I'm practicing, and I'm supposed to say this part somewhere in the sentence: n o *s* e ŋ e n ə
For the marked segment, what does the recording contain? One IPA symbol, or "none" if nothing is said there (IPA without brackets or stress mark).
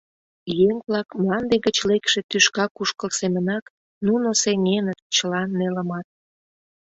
s